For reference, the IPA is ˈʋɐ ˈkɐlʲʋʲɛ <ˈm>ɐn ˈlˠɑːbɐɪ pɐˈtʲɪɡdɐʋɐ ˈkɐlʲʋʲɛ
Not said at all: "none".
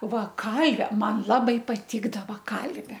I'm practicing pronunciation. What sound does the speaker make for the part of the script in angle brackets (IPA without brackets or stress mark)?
m